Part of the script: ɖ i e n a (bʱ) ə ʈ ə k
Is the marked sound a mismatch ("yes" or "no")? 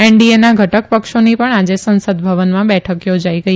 yes